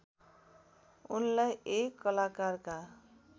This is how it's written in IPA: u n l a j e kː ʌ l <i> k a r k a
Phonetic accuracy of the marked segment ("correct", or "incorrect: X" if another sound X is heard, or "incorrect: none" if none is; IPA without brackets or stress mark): incorrect: a